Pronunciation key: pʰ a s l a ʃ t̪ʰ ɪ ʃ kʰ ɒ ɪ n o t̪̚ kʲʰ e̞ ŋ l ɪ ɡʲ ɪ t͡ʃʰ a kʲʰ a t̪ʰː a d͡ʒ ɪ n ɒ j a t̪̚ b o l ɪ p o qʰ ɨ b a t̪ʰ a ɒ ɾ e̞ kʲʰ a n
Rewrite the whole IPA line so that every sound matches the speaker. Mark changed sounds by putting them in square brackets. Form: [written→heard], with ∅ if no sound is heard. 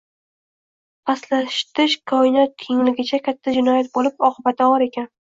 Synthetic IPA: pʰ a s l a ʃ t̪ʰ ɪ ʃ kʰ ɒ ɪ n [o→ɒ] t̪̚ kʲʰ e̞ ŋ l ɪ ɡʲ ɪ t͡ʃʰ a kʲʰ a t̪ʰː a d͡ʒ ɪ n ɒ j a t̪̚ b o l ɪ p [o→ɒ] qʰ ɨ b a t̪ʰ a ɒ ɾ e̞ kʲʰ a n

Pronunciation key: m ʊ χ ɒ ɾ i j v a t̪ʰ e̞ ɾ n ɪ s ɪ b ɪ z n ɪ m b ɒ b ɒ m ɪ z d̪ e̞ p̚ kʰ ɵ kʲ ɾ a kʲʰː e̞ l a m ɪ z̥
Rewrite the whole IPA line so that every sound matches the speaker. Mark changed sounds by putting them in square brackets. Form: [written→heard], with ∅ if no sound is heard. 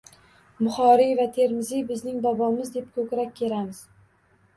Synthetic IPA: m ʊ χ ɒ ɾ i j v a t̪ʰ e̞ ɾ [n→m] ɪ [s→z] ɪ b ɪ z n ɪ [m→ŋ] b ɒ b ɒ m ɪ z d̪ e̞ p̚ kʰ ɵ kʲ ɾ a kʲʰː e̞ l a m ɪ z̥

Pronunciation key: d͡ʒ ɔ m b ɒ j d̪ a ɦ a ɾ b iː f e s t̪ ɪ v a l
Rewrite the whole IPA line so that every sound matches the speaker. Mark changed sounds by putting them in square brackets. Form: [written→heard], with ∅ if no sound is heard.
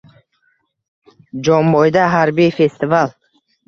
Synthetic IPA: d͡ʒ ɔ m b [ɒ→ɔ] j d̪ a ɦ a ɾ b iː f e s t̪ [ɪ→i] v a l

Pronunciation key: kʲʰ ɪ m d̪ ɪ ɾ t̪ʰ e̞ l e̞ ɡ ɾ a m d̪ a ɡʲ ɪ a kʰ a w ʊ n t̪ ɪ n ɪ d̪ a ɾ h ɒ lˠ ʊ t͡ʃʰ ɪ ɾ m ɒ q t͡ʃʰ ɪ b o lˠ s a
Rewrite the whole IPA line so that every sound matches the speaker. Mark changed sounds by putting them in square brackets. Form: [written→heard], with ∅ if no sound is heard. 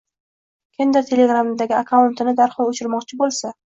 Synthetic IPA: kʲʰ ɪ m d̪ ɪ ɾ t̪ʰ e̞ l e̞ ɡ ɾ a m d̪ a ɡʲ ɪ a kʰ a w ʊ n t̪ ɪ n ɪ d̪ a ɾ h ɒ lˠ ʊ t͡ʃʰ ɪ ɾ m ɒ q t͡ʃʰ ɪ b o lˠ s a

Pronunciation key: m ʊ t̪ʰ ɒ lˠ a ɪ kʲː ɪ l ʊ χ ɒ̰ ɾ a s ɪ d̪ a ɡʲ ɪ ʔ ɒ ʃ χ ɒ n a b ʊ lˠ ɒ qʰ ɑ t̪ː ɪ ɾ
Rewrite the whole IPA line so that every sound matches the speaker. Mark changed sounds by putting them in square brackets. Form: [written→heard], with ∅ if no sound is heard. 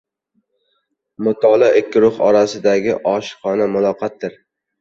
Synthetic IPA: m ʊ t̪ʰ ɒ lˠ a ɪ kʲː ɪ [l→ɾ] ʊ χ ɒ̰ ɾ a s ɪ d̪ a ɡʲ ɪ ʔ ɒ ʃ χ ɒ n a [b→m] ʊ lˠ ɒ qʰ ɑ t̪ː ɪ ɾ

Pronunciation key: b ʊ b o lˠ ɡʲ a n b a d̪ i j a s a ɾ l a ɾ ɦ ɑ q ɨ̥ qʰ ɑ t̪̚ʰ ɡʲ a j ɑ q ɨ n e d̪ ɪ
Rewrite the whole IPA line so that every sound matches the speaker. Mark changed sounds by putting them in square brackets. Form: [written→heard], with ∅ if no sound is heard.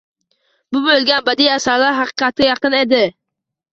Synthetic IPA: b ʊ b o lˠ ɡʲ a n b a d̪ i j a s a ɾ l a ɾ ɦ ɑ q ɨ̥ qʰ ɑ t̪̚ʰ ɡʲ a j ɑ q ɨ n e d̪ ɪ

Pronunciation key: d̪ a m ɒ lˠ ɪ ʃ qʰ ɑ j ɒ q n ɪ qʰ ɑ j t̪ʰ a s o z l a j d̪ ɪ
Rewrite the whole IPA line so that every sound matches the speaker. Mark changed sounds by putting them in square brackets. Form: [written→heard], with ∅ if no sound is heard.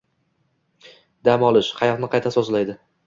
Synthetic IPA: d̪ a m ɒ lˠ ɪ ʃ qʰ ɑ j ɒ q n ɪ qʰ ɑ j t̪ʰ a s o z l a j d̪ ɪ

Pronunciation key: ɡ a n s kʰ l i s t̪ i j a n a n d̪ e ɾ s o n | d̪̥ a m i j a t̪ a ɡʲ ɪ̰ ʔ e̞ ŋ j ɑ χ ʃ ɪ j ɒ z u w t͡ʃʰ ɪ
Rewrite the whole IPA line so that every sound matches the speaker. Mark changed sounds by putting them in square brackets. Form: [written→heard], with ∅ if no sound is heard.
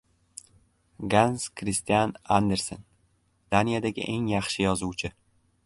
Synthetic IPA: ɡ a n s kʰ [l→ɾ] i s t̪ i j a n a n d̪ e ɾ s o n | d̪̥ a [m→n] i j a [t̪→d̪] a ɡʲ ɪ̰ ʔ e̞ ŋ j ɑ χ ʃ ɪ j ɒ z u w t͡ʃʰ ɪ

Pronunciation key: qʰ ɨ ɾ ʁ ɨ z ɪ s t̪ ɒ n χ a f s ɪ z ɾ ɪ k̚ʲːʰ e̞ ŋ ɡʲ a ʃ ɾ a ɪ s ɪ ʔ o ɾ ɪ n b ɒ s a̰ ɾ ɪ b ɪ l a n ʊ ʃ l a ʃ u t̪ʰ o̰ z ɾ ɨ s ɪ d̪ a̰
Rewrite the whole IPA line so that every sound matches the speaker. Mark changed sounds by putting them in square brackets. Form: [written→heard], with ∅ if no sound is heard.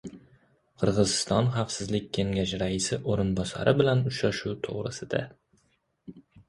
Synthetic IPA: qʰ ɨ ɾ ʁ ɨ z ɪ s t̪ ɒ n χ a f s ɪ z [ɾ→l] ɪ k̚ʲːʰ e̞ ŋ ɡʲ a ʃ ɾ a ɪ s ɪ ʔ o ɾ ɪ n b ɒ s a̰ ɾ ɪ b ɪ l a n ʊ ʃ [l→ɾ] a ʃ u t̪ʰ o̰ [z→ʁ] ɾ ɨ s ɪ d̪ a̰

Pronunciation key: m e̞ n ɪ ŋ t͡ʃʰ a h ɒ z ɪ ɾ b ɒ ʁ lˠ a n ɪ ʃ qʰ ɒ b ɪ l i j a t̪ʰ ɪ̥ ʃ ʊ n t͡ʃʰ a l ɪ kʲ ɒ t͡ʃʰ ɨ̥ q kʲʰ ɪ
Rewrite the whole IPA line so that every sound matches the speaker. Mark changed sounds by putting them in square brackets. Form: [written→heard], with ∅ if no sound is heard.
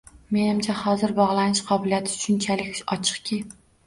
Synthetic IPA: m e̞ n ɪ [ŋ→m] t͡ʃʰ a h ɒ z ɪ ɾ b ɒ ʁ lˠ a n ɪ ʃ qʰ ɒ b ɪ l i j a t̪ʰ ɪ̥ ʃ ʊ n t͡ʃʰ a l ɪ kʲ ɒ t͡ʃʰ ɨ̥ q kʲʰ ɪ

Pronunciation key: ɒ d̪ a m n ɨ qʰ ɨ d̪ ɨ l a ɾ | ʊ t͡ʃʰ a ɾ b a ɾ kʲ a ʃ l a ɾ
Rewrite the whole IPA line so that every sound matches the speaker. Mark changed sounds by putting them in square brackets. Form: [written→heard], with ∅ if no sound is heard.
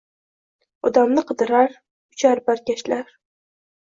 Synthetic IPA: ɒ d̪ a m n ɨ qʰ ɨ d̪ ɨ [l→ɾ] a ɾ | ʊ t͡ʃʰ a ɾ b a ɾ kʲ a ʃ l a ɾ

